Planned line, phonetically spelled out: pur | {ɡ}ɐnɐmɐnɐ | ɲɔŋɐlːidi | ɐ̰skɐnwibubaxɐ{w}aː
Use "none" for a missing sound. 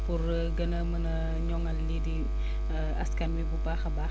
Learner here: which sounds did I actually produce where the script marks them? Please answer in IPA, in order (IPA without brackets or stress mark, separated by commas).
ɡ, b